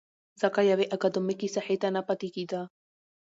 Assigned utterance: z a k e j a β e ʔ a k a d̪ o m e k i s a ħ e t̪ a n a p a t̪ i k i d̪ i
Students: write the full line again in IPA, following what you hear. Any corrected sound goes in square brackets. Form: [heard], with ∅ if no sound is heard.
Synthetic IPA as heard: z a k [a] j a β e ʔ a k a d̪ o m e k i s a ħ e t̪ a n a p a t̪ i k i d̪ [a]